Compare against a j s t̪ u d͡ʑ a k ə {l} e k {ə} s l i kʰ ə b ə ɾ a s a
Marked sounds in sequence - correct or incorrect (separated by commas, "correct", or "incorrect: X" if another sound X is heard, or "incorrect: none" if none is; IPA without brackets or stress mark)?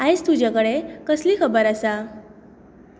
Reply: incorrect: ɽ, correct